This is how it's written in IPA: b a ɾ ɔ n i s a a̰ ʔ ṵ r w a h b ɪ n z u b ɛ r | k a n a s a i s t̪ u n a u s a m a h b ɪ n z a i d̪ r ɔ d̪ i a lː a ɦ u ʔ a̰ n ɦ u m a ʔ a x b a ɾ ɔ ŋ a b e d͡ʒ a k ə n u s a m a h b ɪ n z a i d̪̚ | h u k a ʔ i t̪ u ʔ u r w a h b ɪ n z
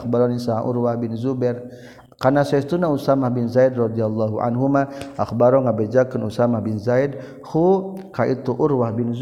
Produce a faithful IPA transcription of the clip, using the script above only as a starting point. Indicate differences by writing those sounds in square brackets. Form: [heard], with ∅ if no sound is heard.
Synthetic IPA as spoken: b a ɾ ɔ n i s a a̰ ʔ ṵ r w a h b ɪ n z u b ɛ r | k a n a s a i s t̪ u n a u s a m a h b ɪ n z a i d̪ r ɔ d̪ i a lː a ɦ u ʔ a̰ n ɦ u m a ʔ a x b a ɾ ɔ ŋ a b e d͡ʒ a k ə n u s a m a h b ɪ n z a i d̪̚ | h u k a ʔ i t̪ u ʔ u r w a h b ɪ n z